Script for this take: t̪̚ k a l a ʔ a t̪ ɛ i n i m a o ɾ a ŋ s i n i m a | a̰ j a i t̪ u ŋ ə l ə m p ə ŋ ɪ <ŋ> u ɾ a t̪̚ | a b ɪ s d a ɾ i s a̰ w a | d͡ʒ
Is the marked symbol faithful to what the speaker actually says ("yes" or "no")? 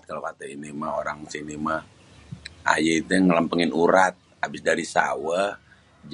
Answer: no